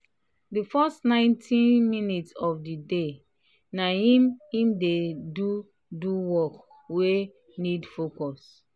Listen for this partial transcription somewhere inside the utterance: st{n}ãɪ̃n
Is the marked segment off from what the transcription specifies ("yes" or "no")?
no